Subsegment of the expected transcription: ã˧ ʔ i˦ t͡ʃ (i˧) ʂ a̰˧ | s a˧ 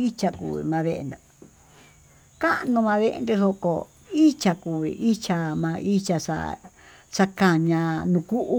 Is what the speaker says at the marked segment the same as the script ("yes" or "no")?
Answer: no